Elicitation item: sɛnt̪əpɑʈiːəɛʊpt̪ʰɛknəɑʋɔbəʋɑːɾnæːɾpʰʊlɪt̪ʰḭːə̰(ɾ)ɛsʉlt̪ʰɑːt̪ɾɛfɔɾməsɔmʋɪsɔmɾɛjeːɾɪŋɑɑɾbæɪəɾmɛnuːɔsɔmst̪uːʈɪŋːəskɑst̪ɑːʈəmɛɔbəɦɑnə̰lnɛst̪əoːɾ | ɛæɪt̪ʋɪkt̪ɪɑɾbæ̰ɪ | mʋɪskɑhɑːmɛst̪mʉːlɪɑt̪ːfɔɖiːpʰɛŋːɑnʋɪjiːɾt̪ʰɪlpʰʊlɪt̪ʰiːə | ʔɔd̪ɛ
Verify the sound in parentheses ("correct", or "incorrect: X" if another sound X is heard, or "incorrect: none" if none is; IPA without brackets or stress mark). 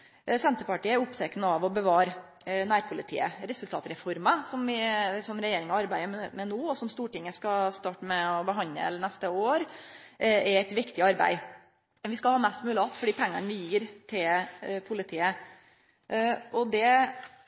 correct